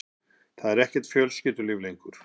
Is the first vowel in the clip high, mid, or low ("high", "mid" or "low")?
low